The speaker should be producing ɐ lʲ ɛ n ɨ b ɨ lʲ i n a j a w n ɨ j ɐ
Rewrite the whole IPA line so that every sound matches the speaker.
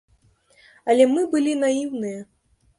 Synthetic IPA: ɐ lʲ ɛ m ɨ b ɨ lʲ i n a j i w n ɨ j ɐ